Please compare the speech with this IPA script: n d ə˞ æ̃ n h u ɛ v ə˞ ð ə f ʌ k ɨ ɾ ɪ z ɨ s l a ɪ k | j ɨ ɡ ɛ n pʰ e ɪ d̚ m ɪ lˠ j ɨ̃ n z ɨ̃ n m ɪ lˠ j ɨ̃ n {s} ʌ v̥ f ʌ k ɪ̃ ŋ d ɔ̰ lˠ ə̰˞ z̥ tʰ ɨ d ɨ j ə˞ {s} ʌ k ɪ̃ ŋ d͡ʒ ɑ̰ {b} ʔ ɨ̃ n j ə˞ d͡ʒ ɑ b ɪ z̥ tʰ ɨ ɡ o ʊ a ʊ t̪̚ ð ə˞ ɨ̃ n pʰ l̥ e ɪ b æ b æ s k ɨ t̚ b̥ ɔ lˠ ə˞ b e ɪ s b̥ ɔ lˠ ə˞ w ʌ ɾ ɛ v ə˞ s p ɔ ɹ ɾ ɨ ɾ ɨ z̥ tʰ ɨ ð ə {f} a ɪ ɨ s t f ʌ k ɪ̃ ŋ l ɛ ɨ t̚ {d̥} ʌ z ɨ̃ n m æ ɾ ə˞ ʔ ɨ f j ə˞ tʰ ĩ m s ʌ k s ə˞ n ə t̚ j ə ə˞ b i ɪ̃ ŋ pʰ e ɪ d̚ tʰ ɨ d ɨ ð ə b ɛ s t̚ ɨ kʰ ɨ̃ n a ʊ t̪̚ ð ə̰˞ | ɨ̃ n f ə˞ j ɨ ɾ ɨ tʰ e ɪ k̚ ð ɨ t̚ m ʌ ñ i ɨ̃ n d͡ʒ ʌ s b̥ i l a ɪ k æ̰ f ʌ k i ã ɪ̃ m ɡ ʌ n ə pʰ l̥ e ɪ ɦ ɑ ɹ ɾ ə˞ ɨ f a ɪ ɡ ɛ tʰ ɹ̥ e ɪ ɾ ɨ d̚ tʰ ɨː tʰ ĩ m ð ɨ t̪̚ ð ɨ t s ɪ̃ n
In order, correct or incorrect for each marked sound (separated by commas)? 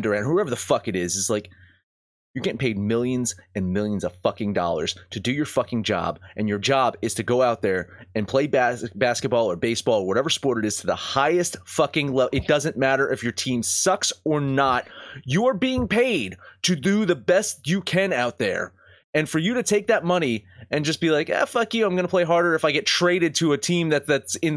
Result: incorrect, incorrect, correct, incorrect, correct